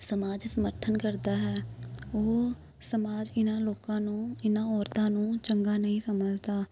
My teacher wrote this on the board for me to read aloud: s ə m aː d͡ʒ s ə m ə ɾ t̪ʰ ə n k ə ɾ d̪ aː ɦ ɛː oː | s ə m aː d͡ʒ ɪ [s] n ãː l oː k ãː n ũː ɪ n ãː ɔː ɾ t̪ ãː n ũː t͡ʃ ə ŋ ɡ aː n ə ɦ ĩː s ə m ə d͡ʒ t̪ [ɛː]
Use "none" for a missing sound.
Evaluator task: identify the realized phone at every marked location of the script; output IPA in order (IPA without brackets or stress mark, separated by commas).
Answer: none, aː